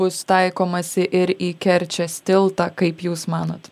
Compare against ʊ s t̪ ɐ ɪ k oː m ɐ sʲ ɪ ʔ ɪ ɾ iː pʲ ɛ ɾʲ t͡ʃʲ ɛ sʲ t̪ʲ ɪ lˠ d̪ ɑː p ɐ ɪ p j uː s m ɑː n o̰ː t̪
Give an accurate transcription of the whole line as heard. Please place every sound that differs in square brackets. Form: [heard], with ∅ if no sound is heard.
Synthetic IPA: ʊ s t̪ ɐ ɪ k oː m ɐ sʲ ɪ ʔ ɪ ɾ iː [kʲ] ɛ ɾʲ t͡ʃʲ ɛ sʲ t̪ʲ ɪ lˠ [t̪] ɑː [k] ɐ ɪ p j uː s m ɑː n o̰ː t̪